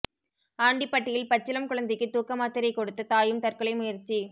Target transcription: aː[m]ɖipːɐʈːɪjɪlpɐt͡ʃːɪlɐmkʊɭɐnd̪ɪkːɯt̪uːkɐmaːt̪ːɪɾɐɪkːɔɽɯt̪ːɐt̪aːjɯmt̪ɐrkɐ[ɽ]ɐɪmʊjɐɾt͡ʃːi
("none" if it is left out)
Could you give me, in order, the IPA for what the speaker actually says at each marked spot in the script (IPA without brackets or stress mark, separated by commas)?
ɳ, ɭ